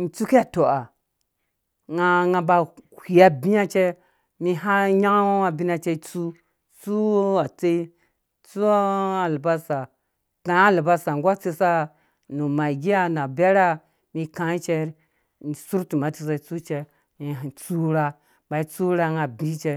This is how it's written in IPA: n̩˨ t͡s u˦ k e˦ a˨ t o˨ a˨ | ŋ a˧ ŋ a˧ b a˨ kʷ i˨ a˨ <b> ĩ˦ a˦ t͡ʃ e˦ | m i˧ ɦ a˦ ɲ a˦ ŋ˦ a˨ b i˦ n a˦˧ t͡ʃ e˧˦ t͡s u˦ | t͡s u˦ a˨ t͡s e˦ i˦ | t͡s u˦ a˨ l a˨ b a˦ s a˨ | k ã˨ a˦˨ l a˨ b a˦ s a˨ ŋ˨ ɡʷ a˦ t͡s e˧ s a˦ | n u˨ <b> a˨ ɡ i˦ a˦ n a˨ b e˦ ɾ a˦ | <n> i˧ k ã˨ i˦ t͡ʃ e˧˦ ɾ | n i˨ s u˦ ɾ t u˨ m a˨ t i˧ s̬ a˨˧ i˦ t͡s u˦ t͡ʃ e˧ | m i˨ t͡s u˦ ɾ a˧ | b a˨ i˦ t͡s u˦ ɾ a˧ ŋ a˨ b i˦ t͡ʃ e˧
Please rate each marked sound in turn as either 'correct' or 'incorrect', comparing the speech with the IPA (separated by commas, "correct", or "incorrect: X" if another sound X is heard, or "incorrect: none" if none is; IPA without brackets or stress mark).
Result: correct, incorrect: m, incorrect: m